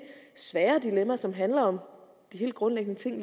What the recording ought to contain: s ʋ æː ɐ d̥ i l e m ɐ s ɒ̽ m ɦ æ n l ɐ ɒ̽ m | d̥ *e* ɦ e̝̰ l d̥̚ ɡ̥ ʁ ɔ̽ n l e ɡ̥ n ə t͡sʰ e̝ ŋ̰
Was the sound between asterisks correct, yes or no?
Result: no